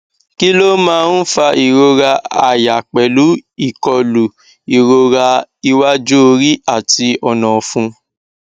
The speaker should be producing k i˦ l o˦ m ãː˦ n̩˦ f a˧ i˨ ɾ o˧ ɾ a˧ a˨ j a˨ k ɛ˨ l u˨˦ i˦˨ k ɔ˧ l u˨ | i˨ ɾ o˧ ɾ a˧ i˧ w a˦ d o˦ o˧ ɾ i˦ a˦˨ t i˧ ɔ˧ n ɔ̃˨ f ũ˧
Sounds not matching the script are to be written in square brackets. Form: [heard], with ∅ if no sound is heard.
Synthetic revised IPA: k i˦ l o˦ m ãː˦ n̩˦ f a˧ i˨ ɾ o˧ ɾ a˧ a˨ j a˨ [k͡p] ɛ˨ l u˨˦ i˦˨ k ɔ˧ l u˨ | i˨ ɾ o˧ ɾ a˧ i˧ w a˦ [d͡ʒ] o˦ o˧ ɾ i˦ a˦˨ t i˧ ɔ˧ n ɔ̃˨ f ũ˧

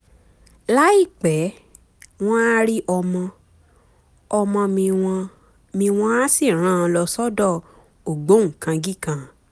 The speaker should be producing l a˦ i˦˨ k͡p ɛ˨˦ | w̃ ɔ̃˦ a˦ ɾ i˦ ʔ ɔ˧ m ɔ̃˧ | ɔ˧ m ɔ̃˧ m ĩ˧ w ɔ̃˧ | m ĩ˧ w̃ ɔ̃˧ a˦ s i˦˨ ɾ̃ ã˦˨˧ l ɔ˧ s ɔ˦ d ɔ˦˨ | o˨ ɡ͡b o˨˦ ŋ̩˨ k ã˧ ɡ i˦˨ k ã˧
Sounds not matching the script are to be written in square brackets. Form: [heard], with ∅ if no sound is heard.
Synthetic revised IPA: l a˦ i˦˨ k͡p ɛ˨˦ | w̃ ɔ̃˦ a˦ ɾ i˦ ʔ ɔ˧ m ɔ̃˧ | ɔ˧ m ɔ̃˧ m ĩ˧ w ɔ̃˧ | m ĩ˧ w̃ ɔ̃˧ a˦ s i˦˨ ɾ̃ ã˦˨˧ l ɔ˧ s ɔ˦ d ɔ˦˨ | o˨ ɡ͡b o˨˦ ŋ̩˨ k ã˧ ɡ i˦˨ k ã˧

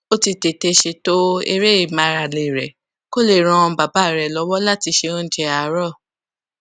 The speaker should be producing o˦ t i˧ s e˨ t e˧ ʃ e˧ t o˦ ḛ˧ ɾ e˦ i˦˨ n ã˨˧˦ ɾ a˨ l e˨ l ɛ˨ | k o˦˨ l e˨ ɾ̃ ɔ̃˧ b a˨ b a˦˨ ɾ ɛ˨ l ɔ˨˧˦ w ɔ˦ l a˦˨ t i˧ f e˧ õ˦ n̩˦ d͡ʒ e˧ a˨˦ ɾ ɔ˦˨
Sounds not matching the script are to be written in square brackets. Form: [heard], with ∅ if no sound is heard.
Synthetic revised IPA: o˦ t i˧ [t] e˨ t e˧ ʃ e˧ t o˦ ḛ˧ ɾ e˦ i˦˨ [m] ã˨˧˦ ɾ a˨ l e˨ [ɾ] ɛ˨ | k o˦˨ l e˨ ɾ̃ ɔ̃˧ b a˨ b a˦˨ ɾ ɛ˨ l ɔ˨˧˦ w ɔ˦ l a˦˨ t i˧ [ʃ] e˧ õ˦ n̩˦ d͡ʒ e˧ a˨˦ ɾ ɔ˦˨

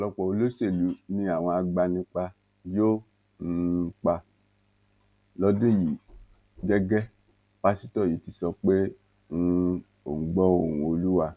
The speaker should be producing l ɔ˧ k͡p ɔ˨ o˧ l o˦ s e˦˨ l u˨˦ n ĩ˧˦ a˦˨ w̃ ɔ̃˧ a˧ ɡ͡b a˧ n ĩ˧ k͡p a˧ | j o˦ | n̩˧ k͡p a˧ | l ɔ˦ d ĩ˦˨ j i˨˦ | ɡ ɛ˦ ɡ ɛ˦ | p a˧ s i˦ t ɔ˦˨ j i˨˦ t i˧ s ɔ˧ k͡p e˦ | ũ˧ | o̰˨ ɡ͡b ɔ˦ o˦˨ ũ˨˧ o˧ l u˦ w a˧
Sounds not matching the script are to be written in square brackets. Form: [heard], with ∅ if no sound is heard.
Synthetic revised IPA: l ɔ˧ k͡p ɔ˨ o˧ l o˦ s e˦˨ l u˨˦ n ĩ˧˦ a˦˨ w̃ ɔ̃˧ a˧ ɡ͡b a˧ n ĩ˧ k͡p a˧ | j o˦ | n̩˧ k͡p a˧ | l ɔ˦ d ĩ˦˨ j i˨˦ | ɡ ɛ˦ ɡ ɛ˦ | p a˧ s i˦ t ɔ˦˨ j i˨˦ t i˧ s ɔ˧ k͡p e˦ | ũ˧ | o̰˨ ɡ͡b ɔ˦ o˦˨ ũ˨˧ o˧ l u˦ w a˧

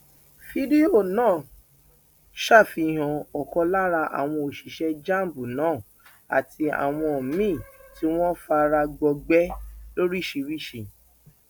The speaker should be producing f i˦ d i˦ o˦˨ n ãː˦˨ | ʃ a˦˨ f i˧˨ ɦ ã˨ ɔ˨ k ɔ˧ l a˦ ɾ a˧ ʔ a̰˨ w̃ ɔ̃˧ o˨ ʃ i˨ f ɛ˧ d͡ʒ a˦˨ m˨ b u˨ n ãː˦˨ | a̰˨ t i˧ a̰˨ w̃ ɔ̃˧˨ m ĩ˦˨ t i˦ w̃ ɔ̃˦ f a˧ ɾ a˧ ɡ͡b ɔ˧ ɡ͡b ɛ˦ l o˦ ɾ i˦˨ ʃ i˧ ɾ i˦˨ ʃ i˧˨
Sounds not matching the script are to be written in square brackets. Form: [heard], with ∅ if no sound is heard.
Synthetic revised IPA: f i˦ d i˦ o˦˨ n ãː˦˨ | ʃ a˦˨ f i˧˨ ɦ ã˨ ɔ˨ k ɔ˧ l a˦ ɾ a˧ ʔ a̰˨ w̃ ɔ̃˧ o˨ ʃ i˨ [ʃ] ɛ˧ d͡ʒ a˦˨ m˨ b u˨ n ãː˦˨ | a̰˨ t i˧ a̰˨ w̃ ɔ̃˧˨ m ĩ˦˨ t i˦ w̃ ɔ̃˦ f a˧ ɾ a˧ ɡ͡b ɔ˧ ɡ͡b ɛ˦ l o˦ ɾ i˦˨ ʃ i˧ ɾ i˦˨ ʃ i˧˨

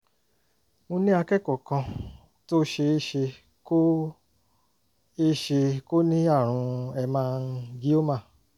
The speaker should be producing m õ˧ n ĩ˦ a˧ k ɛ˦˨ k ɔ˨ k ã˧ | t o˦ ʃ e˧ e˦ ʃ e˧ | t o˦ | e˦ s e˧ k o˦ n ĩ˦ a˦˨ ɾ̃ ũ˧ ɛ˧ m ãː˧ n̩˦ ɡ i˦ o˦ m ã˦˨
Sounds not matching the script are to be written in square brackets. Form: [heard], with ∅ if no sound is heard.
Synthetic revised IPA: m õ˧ n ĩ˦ a˧ k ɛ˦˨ k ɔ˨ k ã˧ | t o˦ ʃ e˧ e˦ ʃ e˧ | [k] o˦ | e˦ [ʃ] e˧ k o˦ n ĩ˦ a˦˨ ɾ̃ ũ˧ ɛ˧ m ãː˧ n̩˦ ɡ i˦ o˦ m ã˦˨

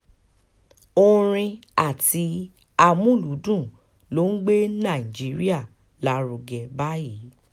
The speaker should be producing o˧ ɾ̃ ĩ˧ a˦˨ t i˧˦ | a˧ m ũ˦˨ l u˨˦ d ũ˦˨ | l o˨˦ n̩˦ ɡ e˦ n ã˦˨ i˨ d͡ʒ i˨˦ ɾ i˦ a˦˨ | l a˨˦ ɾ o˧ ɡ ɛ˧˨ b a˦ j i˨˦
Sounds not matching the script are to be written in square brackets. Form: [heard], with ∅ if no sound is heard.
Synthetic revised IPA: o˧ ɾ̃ ĩ˧ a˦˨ t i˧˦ | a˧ m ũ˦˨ l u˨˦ d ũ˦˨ | l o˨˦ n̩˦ [ɡ͡b] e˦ n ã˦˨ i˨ d͡ʒ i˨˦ ɾ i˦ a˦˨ | l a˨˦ ɾ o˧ ɡ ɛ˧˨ b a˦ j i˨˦

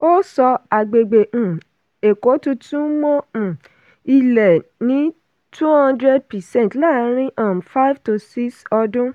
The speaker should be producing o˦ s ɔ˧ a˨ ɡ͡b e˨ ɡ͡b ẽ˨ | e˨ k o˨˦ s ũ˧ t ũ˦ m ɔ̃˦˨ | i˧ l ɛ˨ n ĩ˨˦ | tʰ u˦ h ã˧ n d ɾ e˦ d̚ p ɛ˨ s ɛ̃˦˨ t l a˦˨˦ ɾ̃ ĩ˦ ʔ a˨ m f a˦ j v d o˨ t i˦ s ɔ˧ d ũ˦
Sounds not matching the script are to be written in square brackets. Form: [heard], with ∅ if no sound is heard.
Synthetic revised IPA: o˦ s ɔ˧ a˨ ɡ͡b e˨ ɡ͡b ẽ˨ | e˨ k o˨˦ [t] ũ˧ t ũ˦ m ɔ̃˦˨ | i˧ l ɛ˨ n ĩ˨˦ | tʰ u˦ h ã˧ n d ɾ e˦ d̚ p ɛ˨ s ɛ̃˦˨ t l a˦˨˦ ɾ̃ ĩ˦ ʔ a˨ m f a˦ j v [t] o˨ [s] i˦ s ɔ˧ d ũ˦

